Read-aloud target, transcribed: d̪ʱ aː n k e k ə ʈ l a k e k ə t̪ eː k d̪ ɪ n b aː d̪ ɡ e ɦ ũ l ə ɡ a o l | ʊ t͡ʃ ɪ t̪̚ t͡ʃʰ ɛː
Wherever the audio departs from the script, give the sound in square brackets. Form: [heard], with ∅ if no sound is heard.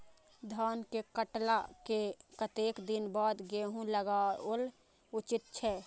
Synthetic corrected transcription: d̪ʱ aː n k e k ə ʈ l a k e k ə t̪ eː k d̪ ɪ n b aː d̪ ɡ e ɦ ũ l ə ɡ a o l | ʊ t͡ʃ ɪ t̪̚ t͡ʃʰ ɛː